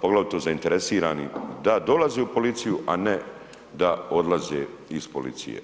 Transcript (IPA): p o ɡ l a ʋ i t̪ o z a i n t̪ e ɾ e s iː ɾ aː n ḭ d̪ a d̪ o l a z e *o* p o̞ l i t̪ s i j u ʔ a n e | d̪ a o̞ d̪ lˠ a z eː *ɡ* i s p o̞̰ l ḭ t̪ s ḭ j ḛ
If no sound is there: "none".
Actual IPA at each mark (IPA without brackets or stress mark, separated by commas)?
u, none